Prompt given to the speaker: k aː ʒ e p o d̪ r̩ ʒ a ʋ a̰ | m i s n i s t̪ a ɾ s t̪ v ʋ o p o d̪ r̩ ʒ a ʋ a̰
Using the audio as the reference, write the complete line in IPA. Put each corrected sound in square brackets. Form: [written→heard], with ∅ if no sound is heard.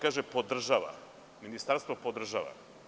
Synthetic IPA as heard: k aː ʒ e p o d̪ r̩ ʒ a ʋ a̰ | m i [s→∅] n i s t̪ a ɾ s t̪ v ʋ o p o d̪ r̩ ʒ a ʋ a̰